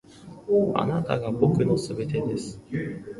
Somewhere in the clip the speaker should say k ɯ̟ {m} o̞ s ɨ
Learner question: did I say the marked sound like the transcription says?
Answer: no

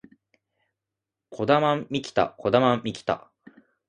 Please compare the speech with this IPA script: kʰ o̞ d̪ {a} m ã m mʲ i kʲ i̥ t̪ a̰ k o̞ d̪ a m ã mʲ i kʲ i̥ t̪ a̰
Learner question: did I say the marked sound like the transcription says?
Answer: yes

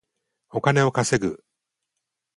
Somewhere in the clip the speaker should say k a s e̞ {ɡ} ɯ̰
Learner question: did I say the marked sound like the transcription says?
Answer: yes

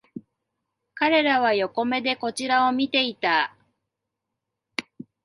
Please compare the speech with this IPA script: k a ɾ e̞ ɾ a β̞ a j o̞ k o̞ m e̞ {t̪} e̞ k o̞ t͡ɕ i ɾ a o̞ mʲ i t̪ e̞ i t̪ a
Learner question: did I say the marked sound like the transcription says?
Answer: no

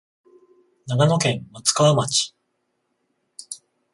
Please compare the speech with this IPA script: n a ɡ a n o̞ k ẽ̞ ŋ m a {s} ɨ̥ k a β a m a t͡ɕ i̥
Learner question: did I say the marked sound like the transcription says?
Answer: no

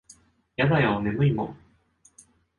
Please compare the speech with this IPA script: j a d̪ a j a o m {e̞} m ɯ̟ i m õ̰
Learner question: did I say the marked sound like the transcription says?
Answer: yes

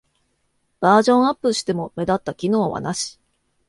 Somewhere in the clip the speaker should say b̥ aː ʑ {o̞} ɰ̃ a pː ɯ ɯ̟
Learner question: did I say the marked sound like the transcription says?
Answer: no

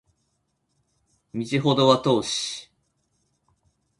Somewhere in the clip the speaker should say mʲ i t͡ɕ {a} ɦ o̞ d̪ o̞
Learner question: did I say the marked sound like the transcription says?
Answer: no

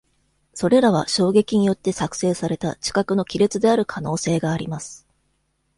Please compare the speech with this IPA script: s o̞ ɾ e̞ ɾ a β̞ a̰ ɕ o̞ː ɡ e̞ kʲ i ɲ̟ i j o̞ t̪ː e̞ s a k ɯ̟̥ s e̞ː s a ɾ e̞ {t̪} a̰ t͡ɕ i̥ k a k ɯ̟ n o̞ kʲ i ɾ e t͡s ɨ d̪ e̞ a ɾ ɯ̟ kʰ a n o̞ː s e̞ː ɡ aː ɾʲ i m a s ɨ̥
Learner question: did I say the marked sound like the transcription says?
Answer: yes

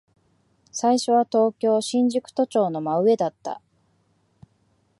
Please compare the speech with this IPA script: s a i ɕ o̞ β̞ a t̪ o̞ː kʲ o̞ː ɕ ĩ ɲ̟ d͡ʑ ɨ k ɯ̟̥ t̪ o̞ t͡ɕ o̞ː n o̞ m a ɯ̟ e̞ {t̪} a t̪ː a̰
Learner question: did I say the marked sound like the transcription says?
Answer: no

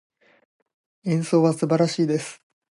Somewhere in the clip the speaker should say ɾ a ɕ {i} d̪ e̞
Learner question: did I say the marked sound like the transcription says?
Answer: no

